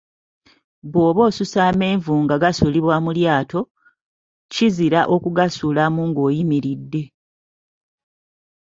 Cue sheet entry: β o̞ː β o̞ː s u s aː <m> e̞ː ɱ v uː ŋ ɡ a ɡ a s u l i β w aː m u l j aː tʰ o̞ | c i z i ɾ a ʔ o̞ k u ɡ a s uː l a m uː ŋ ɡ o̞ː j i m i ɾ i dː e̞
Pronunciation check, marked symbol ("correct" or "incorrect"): correct